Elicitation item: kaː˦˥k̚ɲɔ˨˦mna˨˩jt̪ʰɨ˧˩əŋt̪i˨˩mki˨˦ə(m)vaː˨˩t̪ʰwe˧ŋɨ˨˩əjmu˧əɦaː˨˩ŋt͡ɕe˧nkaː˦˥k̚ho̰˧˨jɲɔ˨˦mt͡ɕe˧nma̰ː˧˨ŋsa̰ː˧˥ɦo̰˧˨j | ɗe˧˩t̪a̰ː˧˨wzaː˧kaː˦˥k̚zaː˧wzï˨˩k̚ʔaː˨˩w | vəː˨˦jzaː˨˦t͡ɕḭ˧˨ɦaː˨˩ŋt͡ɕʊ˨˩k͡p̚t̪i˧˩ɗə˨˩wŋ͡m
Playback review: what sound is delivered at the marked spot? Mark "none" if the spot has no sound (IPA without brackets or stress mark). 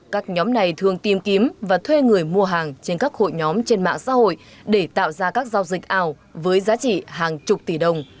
m